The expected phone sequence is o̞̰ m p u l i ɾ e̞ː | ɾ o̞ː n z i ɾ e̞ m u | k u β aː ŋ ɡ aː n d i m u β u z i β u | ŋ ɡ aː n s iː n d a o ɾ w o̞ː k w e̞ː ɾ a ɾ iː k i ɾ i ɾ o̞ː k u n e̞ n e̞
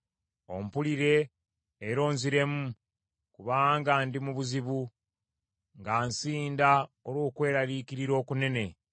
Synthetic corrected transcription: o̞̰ m p u l i ɾ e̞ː | ɾ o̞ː n z i ɾ e̞ m u | k u β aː ŋ ɡ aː n d i m u β u z i β u | ŋ ɡ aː n s iː n d a o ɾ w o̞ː k w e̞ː ɾ a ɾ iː k i ɾ i ɾ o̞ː k u n e̞ n e̞